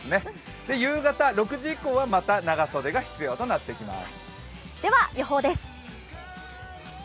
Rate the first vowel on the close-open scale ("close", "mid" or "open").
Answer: mid